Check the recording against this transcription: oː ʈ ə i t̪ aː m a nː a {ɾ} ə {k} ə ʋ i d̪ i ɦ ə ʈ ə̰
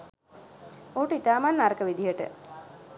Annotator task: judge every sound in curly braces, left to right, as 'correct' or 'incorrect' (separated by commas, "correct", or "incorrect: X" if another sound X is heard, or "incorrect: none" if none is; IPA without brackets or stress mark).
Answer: correct, correct